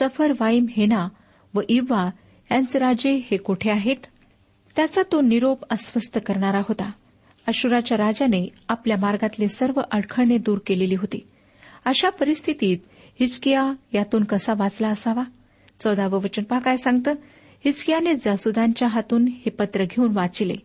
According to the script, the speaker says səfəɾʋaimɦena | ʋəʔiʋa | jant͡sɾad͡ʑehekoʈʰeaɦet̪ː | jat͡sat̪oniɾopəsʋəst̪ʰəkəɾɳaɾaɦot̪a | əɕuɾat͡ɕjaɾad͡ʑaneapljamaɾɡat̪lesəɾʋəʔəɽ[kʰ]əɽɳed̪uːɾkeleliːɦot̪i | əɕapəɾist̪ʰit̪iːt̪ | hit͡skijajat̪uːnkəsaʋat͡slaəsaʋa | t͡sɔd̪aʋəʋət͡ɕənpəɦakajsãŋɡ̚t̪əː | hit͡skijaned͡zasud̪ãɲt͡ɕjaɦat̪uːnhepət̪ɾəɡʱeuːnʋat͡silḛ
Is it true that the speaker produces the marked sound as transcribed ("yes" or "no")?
yes